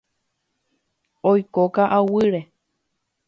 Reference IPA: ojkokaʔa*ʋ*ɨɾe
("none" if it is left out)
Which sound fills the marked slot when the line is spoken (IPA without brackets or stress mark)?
w